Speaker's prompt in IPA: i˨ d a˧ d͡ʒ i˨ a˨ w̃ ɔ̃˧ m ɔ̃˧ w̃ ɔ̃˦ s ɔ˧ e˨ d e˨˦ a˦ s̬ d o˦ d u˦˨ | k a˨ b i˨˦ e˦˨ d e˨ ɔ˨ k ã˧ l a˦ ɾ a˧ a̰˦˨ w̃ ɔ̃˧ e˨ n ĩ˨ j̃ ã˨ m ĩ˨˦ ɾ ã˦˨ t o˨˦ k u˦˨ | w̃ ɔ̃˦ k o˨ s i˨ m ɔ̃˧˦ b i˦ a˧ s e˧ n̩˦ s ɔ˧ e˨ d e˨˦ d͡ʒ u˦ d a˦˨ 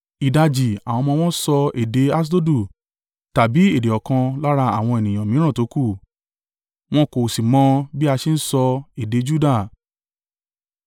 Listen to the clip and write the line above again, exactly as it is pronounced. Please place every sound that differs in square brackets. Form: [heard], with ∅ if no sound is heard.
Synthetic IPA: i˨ d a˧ d͡ʒ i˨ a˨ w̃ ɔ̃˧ m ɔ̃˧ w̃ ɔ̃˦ s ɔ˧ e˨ d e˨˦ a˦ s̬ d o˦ d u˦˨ | [t] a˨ b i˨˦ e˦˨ d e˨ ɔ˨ k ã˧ l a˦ ɾ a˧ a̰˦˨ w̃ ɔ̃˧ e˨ n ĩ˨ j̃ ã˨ m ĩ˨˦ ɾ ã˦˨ t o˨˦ k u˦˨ | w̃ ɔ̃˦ k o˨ s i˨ m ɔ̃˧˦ b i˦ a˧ [ʃ] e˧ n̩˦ s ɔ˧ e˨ d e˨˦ d͡ʒ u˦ d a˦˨